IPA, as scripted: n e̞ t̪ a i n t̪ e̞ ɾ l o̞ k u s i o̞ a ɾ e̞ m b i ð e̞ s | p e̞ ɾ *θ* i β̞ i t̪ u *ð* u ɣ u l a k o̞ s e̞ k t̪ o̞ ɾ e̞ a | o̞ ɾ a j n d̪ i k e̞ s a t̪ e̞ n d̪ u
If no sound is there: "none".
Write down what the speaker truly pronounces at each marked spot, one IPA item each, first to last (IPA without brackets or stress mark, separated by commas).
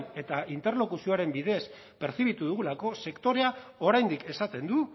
θ, ð